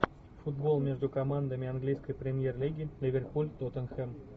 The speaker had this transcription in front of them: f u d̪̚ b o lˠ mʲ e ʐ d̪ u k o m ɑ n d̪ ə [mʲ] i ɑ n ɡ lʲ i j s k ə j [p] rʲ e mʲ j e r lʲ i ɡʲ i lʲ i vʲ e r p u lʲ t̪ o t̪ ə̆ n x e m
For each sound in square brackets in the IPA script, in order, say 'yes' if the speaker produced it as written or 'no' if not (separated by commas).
yes, yes